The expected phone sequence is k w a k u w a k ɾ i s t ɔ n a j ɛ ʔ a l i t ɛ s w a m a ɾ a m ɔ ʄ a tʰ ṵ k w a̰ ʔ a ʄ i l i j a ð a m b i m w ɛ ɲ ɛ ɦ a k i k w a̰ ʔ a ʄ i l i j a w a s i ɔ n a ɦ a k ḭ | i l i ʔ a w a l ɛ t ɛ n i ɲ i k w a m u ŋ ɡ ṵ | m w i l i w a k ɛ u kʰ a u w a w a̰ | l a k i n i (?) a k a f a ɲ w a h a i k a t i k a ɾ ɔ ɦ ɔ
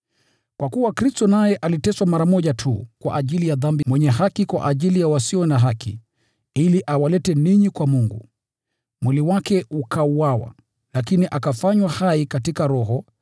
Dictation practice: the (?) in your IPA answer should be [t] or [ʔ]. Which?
ʔ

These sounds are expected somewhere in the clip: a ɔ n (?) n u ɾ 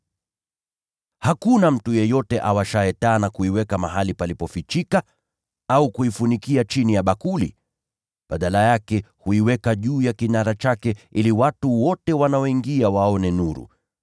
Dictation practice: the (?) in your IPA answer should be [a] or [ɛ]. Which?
ɛ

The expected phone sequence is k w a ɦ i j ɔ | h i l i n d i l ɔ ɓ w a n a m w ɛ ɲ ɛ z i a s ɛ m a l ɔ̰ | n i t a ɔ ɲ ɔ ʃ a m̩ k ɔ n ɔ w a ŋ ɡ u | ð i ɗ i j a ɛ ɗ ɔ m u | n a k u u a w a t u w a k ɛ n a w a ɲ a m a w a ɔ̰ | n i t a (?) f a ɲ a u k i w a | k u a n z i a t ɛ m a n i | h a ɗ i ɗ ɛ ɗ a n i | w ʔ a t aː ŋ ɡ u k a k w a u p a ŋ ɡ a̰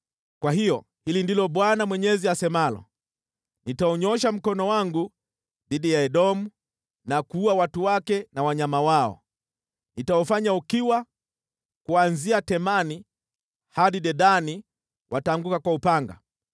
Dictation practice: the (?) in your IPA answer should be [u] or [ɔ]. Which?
ɔ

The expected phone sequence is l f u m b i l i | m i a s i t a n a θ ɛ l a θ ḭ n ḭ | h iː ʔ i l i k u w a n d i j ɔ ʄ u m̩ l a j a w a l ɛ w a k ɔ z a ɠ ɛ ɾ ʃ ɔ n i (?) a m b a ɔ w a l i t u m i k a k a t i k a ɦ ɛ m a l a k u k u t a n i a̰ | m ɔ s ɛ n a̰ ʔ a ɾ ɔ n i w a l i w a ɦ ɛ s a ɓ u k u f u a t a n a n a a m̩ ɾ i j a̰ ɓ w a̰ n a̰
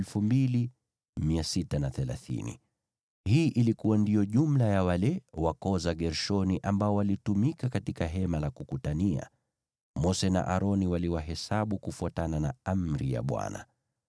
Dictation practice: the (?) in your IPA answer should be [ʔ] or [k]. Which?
ʔ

